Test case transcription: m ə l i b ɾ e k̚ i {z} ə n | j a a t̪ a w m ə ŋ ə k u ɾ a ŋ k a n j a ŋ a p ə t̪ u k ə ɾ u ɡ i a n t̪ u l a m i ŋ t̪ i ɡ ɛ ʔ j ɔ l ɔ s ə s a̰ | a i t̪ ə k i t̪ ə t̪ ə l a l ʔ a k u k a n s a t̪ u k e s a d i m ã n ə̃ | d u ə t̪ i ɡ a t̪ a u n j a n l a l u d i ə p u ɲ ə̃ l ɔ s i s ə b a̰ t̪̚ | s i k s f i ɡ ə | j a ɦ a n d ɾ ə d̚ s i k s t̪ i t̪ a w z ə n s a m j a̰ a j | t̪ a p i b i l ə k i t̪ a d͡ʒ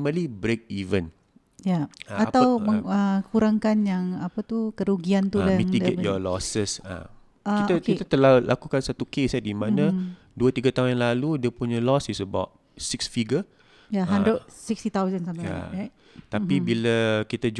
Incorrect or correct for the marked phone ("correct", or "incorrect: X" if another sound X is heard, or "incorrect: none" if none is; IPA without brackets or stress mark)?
incorrect: v